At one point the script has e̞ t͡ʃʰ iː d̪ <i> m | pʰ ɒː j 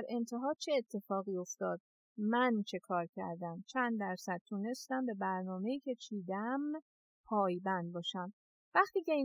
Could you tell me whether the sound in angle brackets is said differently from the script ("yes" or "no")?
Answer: yes